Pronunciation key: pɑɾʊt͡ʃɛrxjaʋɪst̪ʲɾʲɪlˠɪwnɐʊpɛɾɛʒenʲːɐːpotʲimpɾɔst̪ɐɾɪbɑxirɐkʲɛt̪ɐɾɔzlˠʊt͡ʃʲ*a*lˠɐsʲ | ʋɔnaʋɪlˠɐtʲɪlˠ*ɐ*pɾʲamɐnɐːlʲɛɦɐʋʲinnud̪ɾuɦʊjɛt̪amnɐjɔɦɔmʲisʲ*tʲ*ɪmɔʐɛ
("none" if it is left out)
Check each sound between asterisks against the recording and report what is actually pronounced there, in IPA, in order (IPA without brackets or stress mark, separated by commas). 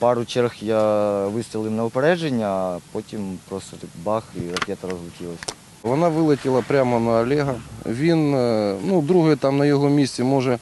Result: i, ɐ, tʲ